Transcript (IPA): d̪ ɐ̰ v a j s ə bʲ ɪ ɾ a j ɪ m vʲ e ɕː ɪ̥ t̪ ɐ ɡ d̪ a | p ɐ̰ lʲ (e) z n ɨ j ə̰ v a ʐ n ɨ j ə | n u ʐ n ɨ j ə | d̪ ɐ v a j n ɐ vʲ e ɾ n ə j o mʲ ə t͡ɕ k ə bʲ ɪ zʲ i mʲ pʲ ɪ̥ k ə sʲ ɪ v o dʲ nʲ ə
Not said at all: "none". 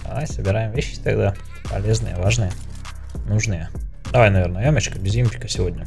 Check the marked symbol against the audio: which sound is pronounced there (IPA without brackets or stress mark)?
e